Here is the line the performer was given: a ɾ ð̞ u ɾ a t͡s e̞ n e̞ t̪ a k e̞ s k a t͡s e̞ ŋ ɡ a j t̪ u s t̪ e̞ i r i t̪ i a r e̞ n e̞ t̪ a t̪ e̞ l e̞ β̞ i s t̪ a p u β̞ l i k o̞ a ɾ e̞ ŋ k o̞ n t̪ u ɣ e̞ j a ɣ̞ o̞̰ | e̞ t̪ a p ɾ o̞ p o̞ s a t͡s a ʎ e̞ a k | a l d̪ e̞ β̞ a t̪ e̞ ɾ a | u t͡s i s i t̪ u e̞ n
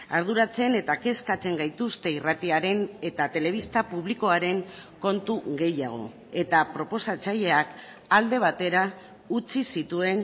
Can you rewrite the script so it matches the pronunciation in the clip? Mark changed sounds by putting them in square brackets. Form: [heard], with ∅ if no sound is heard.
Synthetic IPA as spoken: a ɾ ð̞ u ɾ a t͡s e̞ n e̞ t̪ a k e̞ s k a t͡s e̞ ŋ ɡ a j t̪ u s t̪ e̞ i r [a] t̪ i a [ɾ] e̞ n e̞ t̪ a t̪ e̞ l e̞ β̞ i s t̪ a p u β̞ l i k o̞ a ɾ e̞ ŋ k o̞ n t̪ u ɣ e̞ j a ɣ̞ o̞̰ | e̞ t̪ a p ɾ o̞ p o̞ s a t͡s a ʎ e̞ a k | a l d̪ e̞ β̞ a t̪ e̞ ɾ a | u t͡s i s i t̪ u e̞ n